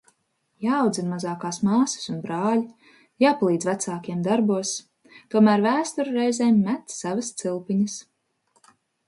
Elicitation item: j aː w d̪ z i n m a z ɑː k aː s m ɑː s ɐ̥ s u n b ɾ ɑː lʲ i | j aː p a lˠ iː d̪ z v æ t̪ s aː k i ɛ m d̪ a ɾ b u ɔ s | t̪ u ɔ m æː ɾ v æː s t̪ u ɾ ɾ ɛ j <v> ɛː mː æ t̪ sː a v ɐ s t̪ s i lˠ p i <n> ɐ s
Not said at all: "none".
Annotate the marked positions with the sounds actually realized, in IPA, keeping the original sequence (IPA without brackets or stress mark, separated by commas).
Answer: z, ɲ